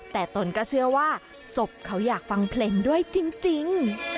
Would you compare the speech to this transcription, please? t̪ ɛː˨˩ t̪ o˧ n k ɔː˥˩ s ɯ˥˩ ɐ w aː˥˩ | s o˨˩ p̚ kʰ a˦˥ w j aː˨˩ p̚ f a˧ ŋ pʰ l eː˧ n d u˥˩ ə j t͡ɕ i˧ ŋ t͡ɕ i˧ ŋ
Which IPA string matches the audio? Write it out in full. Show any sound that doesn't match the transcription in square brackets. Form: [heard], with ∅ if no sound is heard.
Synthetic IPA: t̪ ɛː˨˩ t̪ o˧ n k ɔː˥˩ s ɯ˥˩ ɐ w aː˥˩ | s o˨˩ p̚ kʰ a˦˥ w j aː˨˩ [k̚] f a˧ ŋ pʰ l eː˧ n d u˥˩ ə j t͡ɕ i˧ ŋ t͡ɕ i˧ ŋ